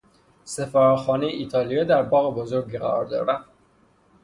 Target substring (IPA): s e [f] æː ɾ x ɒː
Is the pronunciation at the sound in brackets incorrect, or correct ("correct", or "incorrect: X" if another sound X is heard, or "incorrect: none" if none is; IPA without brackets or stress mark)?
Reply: correct